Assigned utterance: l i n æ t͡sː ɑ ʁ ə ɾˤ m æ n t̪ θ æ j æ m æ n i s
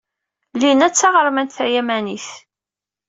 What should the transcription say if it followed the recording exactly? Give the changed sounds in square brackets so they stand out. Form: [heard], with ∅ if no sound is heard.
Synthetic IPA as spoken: l i n æ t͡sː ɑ ʁ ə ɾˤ m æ n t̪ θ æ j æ m æ n i [θ]